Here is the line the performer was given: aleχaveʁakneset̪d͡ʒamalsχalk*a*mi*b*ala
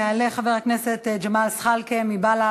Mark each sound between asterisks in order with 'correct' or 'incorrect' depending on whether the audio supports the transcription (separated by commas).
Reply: incorrect, correct